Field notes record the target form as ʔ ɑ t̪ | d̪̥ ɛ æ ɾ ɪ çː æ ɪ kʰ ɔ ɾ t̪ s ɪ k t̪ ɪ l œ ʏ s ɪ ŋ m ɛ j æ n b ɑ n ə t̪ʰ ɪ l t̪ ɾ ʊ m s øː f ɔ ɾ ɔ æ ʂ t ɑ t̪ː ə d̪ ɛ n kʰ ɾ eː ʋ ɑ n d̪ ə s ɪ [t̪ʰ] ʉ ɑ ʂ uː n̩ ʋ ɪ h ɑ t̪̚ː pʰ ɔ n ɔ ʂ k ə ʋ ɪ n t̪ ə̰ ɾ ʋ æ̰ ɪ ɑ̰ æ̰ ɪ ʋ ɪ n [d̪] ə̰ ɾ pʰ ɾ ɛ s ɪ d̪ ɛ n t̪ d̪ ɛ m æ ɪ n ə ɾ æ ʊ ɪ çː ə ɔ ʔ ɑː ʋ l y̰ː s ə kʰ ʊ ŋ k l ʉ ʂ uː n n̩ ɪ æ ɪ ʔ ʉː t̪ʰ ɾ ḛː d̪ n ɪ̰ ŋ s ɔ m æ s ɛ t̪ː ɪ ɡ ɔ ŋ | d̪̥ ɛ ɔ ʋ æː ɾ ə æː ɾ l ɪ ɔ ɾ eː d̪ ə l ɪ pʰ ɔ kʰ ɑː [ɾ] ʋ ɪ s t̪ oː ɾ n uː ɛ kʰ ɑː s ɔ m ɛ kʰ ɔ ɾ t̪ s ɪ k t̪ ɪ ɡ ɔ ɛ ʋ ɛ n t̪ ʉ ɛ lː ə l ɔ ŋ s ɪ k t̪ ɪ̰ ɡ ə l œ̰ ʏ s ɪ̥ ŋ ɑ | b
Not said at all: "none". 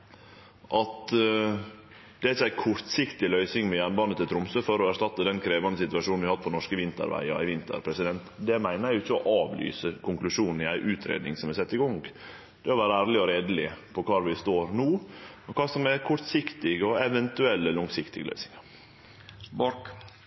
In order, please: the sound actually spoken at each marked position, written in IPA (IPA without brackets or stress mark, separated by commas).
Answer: t̪, t̪, ɾ